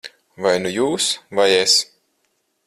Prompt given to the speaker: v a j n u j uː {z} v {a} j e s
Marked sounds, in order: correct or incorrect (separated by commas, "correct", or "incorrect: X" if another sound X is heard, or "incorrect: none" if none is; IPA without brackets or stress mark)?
incorrect: s, correct